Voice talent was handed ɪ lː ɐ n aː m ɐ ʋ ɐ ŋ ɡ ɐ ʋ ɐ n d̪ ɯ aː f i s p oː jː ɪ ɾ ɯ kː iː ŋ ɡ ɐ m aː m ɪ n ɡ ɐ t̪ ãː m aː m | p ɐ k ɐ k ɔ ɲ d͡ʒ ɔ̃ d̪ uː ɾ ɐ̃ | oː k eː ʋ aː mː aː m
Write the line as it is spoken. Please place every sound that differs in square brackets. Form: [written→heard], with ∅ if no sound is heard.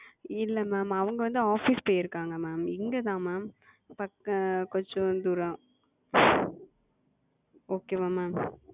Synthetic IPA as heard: ɪ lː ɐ [n→m] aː m ɐ ʋ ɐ ŋ ɡ ɐ ʋ ɐ n d̪ ɯ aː f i s p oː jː ɪ ɾ ɯ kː [iː→aː] ŋ ɡ ɐ m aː m ɪ [n→ŋ] ɡ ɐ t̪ ãː m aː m | p ɐ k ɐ k ɔ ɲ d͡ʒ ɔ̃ d̪ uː ɾ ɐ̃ | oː k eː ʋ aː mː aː m

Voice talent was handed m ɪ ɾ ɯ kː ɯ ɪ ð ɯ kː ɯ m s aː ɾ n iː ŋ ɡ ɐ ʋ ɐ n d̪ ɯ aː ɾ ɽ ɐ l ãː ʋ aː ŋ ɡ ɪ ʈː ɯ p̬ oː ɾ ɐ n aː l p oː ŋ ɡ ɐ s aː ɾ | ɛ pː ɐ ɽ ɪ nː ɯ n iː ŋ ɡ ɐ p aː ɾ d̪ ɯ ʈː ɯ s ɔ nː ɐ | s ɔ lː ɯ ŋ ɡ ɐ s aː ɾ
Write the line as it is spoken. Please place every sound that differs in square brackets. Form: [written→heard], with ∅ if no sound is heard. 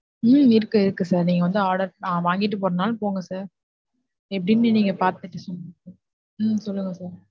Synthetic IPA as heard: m ɪ ɾ ɯ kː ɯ ɪ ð ɯ kː ɯ [m→∅] s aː ɾ n iː ŋ ɡ ɐ ʋ ɐ n d̪ ɯ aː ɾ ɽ ɐ [l→ɾ] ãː ʋ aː ŋ ɡ ɪ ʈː ɯ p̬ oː ɾ ɐ n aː l p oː ŋ ɡ ɐ s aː ɾ | ɛ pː ɐ ɽ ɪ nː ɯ n iː ŋ ɡ ɐ p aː ɾ [d̪→t̪] ɯ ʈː ɯ s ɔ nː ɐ | s ɔ lː ɯ ŋ ɡ ɐ s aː ɾ

